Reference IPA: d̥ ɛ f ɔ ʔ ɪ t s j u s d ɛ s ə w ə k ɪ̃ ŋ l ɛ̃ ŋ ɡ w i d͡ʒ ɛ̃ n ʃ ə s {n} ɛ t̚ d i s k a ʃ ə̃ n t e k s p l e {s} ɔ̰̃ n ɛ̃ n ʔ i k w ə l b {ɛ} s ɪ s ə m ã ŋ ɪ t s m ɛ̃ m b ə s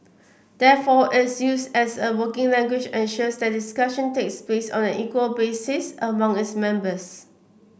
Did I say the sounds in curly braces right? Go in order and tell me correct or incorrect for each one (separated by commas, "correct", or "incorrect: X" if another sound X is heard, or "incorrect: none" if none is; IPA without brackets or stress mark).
incorrect: d, correct, incorrect: e